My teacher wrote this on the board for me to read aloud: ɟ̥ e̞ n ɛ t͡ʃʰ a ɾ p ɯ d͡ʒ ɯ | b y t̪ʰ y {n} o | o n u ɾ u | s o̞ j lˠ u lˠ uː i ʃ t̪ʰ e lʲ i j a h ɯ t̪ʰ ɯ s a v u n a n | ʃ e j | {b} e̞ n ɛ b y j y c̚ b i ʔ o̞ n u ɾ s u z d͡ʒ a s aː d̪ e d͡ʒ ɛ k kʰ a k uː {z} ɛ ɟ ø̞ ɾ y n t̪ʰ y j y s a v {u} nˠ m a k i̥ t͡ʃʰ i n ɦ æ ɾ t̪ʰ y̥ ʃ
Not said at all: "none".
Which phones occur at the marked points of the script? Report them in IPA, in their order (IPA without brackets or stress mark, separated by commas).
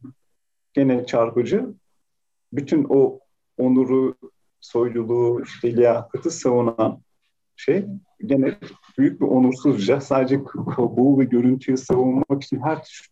n, ɟ, v, u